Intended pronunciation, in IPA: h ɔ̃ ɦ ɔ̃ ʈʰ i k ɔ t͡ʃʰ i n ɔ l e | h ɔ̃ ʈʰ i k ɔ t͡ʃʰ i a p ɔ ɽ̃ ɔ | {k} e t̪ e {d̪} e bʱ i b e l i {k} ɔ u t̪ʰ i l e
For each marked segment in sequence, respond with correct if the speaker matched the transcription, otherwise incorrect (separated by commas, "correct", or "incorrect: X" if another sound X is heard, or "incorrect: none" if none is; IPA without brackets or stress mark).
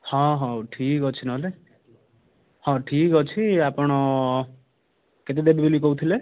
correct, correct, correct